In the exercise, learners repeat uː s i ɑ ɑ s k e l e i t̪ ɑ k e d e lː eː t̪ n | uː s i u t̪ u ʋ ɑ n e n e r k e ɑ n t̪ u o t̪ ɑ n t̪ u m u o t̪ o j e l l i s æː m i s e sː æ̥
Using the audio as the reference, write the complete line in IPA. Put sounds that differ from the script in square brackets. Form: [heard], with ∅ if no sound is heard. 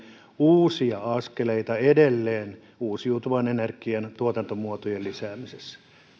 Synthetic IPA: uː s i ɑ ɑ s k e l e i t̪ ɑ [∅] e d e lː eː [∅] n | uː s i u t̪ u ʋ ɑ n e n e r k [i] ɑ n t̪ u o t̪ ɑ n t̪ [o] m u o t̪ o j e l l i s æː m i s e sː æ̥

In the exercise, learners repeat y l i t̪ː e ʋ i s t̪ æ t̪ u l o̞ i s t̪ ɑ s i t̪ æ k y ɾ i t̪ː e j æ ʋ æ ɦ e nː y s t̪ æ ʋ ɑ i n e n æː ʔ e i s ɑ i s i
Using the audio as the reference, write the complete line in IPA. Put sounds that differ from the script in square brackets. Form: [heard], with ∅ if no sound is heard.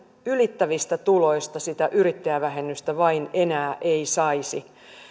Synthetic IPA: y l i t̪ː [æ] ʋ i s t̪ æ t̪ u l o̞ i s t̪ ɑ s i t̪ æ [ʔ] y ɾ i t̪ː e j æ ʋ æ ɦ e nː y s t̪ æ ʋ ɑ i n e n æː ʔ e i s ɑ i s i

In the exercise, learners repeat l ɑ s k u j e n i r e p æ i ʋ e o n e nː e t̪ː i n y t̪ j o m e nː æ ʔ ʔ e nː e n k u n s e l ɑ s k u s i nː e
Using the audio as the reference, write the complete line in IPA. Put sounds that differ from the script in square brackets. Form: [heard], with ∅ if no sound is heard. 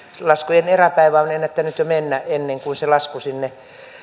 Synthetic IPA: l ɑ s k u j e n [e] r [æ] p æ i ʋ [æ] o n e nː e t̪ː [æ] n y t̪ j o m e nː æ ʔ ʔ e nː e [ŋ] k u n s e l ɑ s k u s i nː e

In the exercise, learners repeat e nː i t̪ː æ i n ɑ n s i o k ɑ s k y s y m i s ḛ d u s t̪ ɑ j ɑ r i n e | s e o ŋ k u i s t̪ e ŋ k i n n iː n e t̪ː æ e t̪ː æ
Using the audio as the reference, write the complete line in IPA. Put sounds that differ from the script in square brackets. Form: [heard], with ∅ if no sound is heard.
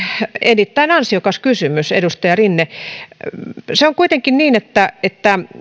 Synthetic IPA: e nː i t̪ː æ i n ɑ n s i o k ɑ s k y s y m [y] s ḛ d u s t̪ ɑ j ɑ r i [nː] e | s e o ŋ k u i [∅] t̪ e ŋ k i n n iː n e t̪ː æ e t̪ː æ

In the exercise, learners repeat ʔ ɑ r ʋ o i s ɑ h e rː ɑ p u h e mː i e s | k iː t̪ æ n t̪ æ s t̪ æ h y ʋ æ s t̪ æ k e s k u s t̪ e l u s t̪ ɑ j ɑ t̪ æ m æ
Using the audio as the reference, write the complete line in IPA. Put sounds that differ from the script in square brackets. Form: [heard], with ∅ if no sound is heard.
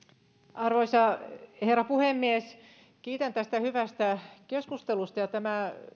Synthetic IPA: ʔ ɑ r ʋ o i s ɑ h e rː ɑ p u h e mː i e s | k iː t̪ æ n t̪ æ s t̪ æ h y ʋ æ s t̪ æ k e s k u s t̪ e l u s t̪ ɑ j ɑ t̪ æ m æ

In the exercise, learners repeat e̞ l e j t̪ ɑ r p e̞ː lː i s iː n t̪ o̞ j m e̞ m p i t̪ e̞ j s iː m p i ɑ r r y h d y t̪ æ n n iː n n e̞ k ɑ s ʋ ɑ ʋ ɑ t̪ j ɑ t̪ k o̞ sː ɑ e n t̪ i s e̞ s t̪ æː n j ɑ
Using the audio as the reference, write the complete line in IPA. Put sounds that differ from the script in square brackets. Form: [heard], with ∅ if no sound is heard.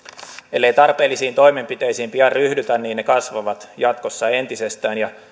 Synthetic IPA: e̞ [lː] e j t̪ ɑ r p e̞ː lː i s iː n t̪ o̞ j m e̞ m p i t̪ e̞ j s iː m p i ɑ r r y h d y t̪ æ n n iː n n e̞ k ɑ s ʋ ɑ ʋ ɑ t̪ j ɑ t̪ k o̞ sː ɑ e n t̪ i s e̞ s t̪ æː n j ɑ

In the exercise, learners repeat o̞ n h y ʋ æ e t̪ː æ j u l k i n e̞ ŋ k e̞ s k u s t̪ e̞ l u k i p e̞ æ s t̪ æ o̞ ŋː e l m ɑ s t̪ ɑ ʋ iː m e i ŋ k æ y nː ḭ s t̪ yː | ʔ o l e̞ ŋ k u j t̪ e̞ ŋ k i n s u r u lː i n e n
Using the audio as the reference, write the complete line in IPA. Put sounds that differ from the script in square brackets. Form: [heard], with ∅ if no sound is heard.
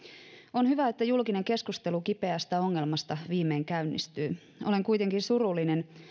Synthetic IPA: o̞ n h y ʋ æ e t̪ː æ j u l k i n e̞ ŋ k e̞ s k u s t̪ e̞ l u k i p e̞ æ s t̪ æ o̞ ŋː e l m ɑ s t̪ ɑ ʋ iː m e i ŋ k æ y nː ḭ s t̪ yː | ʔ o l e̞ ŋ k u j t̪ e̞ ŋ k i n s u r u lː i n e n

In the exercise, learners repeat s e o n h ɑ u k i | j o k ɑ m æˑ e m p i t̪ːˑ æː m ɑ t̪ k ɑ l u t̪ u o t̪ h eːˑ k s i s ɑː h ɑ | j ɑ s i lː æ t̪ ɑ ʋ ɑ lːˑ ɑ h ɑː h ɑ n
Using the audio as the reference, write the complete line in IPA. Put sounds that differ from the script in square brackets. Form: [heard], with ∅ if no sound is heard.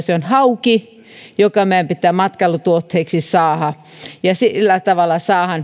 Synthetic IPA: s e o n h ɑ u k i | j o k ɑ m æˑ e m p i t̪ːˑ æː m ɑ t̪ k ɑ l u t̪ u o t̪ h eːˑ k s i s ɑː h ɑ | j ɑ s i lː æ t̪ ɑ ʋ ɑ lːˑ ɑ [s] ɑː h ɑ n

